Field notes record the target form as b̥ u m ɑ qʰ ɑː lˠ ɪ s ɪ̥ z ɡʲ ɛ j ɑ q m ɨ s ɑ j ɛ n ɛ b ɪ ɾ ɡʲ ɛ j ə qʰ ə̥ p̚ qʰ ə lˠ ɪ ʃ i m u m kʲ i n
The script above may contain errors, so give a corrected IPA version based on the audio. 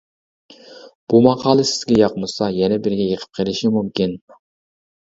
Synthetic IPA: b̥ u m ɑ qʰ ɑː lˠ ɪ s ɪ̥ z ɡʲ ɛ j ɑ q m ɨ s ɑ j ɛ n ɛ b ɪ ɾ ɡʲ ɛ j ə qʰ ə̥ p̚ qʰ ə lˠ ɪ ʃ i m u m kʲ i n